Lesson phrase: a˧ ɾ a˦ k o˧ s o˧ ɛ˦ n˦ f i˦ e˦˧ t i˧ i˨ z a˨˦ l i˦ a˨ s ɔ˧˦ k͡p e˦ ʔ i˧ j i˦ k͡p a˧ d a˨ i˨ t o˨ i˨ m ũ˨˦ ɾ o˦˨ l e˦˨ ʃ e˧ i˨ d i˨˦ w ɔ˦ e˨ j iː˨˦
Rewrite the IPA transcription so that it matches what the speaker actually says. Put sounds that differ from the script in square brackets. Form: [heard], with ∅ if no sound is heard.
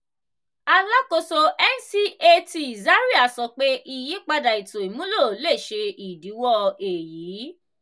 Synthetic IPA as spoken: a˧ [l] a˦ k o˧ s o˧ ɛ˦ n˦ [s] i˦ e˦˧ t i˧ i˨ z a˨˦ [ɾ] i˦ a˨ s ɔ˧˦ k͡p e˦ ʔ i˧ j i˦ k͡p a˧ d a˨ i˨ t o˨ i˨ m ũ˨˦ [l] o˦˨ l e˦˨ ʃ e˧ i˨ d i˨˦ w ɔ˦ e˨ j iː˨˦